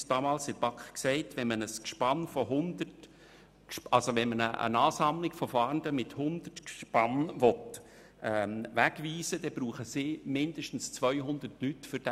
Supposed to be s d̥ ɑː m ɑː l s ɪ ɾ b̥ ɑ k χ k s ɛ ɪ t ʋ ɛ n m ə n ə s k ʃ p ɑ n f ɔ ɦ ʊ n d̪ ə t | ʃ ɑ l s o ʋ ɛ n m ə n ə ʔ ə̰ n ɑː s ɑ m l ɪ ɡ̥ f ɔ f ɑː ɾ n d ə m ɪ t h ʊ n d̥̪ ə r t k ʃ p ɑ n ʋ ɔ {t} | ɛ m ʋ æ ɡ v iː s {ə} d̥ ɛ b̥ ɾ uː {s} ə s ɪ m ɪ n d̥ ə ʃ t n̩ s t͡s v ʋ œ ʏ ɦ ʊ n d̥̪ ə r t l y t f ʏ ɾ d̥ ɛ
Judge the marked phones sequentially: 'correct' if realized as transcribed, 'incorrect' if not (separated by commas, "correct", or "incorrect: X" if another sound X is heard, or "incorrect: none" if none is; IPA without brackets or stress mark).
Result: correct, correct, incorrect: χ